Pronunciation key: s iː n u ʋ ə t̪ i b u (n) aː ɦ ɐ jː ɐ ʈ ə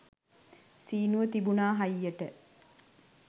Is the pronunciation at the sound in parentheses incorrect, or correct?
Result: correct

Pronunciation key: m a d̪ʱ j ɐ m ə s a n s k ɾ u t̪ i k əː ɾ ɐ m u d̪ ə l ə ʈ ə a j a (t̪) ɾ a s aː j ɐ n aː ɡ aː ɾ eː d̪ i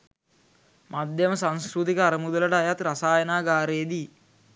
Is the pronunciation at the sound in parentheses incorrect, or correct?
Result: correct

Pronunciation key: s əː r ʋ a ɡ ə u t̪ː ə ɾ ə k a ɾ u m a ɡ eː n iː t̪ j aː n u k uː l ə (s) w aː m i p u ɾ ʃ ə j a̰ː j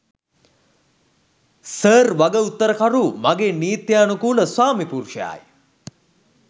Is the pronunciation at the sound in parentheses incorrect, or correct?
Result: correct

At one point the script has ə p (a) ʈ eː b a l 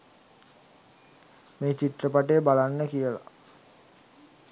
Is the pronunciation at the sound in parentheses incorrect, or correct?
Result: correct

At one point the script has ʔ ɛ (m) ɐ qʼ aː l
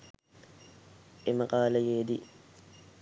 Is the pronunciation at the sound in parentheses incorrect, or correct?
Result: correct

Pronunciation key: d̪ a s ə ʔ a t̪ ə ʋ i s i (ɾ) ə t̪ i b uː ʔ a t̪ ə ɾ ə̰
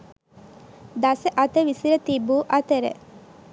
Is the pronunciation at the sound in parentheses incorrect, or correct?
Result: correct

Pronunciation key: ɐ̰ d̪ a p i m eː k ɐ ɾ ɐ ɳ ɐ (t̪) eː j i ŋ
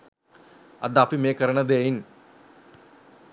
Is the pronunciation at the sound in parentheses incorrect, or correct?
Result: incorrect: d̪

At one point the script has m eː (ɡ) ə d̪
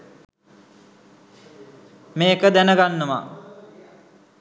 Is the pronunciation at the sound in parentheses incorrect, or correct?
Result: incorrect: k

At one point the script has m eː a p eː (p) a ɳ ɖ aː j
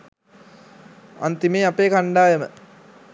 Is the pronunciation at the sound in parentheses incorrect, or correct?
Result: incorrect: k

